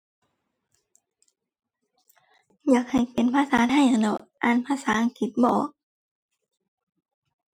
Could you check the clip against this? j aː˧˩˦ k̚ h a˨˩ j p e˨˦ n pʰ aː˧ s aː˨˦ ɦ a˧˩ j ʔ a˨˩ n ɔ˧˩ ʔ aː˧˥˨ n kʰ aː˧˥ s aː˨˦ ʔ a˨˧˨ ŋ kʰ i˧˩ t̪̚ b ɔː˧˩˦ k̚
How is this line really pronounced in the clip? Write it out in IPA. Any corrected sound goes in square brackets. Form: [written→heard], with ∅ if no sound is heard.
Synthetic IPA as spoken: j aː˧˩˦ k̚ h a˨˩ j p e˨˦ n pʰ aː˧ s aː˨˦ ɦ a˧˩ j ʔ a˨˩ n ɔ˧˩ ʔ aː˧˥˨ n [kʰ→pʰ] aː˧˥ s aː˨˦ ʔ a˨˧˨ ŋ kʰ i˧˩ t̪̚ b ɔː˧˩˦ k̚